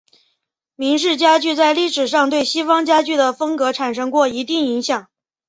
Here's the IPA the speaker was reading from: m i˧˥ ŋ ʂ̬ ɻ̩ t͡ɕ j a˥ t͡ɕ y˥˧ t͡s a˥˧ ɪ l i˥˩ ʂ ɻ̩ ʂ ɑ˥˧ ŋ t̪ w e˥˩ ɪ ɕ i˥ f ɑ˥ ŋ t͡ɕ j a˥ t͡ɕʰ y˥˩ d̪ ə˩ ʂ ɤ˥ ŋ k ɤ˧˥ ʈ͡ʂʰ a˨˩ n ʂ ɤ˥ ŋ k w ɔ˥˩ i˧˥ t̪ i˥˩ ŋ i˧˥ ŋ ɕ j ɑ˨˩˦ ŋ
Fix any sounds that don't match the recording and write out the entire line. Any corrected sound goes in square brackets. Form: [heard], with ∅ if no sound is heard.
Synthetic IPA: m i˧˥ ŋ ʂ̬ ɻ̩ t͡ɕ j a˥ t͡ɕ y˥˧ t͡s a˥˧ ɪ l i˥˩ ʂ ɻ̩ ʂ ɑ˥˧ ŋ t̪ w e˥˩ ɪ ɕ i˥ f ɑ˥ ŋ t͡ɕ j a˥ [t͡ɕ] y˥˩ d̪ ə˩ [f] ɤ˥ ŋ k ɤ˧˥ ʈ͡ʂʰ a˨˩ n ʂ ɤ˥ ŋ k w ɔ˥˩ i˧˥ t̪ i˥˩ ŋ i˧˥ ŋ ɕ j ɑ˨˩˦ ŋ